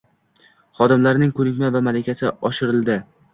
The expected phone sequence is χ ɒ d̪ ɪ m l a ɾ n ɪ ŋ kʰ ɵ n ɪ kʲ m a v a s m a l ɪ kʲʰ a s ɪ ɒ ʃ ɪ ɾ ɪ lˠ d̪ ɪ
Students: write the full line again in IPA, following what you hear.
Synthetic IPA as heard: χ ɒ d̪ ɪ m l a ɾ n ɪ ŋ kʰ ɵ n ɪ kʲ m a v a m a l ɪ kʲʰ a s ɪ ɒ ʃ ɪ ɾ ɪ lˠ d̪ ɪ